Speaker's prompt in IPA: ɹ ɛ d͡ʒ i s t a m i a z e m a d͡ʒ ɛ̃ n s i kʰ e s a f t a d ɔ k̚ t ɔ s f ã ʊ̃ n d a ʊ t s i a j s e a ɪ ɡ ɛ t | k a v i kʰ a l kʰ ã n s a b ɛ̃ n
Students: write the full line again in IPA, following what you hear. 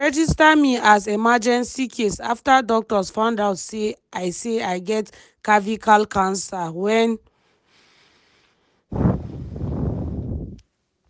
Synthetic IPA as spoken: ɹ ɛ d͡ʒ i s t a m i a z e m a d͡ʒ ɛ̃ n s i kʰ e s a f t a d ɔ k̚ t ɔ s f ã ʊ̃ n d a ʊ t s e a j s e a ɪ ɡ ɛ t | k a v i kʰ a l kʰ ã n s a w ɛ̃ n